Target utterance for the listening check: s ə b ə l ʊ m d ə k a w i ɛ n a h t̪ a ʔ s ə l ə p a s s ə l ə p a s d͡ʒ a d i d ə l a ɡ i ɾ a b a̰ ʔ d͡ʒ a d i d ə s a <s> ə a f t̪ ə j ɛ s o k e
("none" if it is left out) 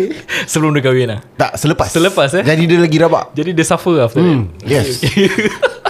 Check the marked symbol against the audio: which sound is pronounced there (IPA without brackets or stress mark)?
f